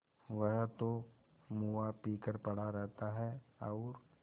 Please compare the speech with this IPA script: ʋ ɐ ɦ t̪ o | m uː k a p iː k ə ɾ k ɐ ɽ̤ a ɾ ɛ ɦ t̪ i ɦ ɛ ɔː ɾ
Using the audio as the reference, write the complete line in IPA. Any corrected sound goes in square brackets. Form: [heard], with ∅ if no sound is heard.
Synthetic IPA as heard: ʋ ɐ ɦ t̪ o | m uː [∅] a p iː k ə ɾ [p] ɐ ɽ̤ a ɾ ɛ ɦ t̪ [a] ɦ ɛ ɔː ɾ